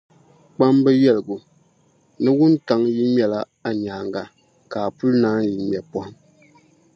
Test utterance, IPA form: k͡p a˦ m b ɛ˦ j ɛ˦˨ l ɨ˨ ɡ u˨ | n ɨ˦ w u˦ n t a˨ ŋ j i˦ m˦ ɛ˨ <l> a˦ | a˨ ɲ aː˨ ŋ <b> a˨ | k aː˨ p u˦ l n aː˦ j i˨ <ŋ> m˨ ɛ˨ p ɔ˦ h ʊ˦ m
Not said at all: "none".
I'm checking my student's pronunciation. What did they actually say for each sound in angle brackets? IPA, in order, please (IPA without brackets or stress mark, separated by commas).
l, ɡ, none